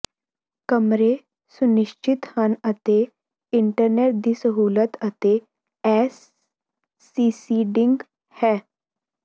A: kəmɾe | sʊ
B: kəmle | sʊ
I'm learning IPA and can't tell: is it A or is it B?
A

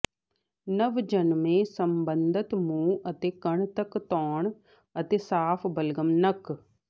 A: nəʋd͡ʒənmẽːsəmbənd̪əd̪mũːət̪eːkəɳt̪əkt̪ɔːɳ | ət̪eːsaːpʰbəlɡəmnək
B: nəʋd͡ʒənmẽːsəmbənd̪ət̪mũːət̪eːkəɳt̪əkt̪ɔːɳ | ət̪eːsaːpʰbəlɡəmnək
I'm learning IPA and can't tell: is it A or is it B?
B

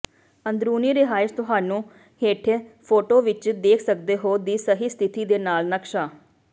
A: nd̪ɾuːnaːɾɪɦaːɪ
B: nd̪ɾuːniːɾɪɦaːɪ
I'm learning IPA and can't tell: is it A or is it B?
B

